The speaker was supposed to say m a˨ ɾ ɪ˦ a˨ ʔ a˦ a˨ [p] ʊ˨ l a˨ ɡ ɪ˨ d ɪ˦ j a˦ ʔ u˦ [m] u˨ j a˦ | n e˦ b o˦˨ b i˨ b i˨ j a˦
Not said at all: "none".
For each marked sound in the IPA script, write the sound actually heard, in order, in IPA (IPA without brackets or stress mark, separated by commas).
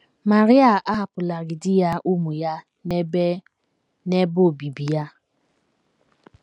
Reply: p, m